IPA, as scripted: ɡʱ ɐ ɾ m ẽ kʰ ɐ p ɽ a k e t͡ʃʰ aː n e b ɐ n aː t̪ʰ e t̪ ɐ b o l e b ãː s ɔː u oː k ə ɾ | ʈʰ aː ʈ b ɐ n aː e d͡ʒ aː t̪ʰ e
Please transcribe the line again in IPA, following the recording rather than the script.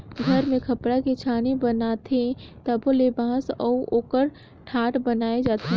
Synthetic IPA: ɡʱ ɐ ɾ m ẽ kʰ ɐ p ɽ a k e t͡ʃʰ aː n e b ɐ n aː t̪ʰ e t̪ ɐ b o l e b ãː s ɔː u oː k ə ɾ | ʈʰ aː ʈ b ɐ n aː e d͡ʒ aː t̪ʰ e

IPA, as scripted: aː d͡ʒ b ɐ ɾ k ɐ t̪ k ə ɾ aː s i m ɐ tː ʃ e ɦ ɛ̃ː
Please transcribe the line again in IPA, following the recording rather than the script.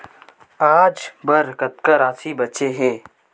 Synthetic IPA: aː d͡ʒ b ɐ ɾ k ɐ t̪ k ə ɾ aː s i b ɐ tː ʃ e ɦ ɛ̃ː

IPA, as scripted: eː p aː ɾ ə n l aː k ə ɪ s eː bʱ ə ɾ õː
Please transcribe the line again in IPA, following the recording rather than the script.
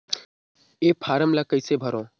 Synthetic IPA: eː pʰ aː ɾ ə m l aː k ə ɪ s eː bʱ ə ɾ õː

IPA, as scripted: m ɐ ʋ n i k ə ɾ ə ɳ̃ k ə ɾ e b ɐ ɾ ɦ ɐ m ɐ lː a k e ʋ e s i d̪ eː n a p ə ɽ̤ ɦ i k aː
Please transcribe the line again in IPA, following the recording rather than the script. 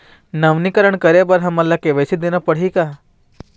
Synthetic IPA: n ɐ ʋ n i k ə ɾ ə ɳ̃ k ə ɾ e b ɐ ɾ ɦ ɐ m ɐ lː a k e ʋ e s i d̪ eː n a p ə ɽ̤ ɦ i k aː

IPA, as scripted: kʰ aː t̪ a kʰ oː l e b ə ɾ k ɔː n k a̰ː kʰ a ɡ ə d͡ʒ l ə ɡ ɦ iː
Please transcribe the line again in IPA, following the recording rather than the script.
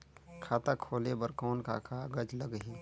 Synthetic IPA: kʰ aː t̪ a kʰ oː l e b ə ɾ k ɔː n k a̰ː kʰ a ɡ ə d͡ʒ l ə ɡ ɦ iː

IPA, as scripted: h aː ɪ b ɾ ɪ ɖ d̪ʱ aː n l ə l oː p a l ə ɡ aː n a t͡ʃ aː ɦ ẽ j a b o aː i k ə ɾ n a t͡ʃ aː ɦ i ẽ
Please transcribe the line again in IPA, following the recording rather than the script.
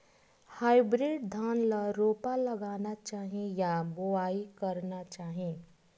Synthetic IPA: h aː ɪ b ɾ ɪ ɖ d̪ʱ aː n l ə ɾ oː p a l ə ɡ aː n a t͡ʃ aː ɦ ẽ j a b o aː i k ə ɾ n a t͡ʃ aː ɦ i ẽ

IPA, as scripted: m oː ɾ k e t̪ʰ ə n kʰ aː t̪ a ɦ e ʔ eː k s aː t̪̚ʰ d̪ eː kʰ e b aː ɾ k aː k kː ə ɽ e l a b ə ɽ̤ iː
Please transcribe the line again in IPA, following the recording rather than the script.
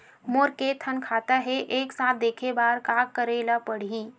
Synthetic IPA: m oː ɾ k e t̪ʰ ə n kʰ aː t̪ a ɦ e ʔ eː k s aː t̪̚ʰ d̪ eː kʰ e b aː ɾ k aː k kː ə ɾ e l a p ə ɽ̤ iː

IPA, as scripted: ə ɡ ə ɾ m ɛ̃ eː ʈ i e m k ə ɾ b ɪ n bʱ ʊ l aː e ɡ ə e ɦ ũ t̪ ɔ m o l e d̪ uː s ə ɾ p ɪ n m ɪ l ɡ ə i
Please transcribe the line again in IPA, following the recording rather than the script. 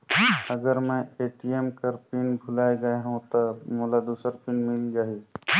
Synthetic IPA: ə ɡ ə ɾ m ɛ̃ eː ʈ i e m k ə ɾ p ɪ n bʱ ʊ l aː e ɡ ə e ɦ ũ t̪ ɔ m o l a d̪ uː s ə ɾ p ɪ n m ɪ l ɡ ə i

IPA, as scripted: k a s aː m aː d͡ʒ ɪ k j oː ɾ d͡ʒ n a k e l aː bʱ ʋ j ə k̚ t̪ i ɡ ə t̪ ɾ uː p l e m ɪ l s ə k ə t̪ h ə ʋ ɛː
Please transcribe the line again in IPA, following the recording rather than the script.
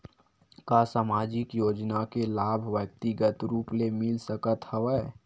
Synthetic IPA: k a s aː m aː d͡ʒ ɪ k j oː d͡ʒ n a k e l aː bʱ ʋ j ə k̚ t̪ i ɡ ə t̪ ɾ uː p l e m ɪ l s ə k ə t̪ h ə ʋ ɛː

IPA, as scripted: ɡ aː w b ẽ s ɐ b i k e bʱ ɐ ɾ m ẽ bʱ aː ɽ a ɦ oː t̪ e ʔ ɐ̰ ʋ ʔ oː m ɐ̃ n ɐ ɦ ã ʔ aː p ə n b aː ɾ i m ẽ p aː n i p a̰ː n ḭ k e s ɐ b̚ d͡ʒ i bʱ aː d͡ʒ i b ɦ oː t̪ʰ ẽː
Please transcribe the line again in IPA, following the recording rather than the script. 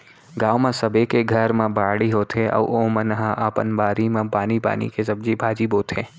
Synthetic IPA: ɡ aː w m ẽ s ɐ b e k e ɡʱ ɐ ɾ m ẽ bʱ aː ɽ i ɦ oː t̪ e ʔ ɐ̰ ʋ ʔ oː m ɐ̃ n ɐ ɦ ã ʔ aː p ə n b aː ɾ i m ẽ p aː n i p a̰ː n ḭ k e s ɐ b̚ d͡ʒ i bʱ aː d͡ʒ i b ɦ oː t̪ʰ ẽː

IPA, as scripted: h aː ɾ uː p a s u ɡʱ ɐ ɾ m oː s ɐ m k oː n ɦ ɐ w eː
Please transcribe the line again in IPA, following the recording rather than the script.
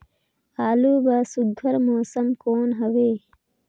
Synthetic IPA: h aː l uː b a s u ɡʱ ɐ ɾ m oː s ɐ m k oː n ɦ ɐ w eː

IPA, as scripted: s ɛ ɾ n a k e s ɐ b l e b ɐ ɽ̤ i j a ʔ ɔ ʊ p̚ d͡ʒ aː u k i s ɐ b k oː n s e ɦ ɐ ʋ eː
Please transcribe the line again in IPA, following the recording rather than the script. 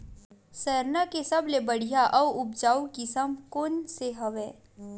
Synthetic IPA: s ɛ ɾ n a k e s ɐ b l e b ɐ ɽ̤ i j a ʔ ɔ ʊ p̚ d͡ʒ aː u k i s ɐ m k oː n s e ɦ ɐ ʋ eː

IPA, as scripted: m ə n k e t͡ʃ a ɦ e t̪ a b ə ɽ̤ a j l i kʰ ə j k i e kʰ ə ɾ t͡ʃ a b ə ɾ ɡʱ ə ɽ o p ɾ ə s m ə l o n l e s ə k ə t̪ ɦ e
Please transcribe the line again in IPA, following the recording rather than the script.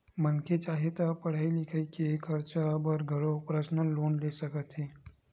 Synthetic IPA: m ə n k e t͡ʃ a ɦ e t̪ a p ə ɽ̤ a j l i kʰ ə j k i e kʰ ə ɾ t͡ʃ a b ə ɾ ɡʱ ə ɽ o p ɾ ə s n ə l o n l e s ə k ə t̪ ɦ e

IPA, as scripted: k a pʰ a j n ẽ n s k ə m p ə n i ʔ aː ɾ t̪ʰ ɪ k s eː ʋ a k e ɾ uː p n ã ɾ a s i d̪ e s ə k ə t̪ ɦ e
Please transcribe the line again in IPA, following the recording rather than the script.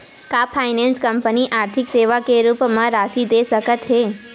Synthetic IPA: k a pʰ a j n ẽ n s k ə m p ə n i ʔ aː ɾ t̪ʰ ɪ k s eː ʋ a k e ɾ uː p m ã ɾ a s i d̪ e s ə k ə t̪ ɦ e

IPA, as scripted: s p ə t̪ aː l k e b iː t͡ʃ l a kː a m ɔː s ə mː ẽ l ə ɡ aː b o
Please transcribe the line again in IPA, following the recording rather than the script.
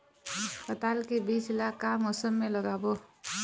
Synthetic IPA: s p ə t̪ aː l k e b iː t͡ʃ l a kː a m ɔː s ə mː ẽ l ə ɡ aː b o

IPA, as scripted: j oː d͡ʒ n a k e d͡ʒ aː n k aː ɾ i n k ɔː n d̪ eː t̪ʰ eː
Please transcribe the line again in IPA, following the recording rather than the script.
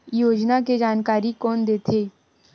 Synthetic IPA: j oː d͡ʒ n a k e d͡ʒ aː n k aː ɾ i k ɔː n d̪ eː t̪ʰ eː

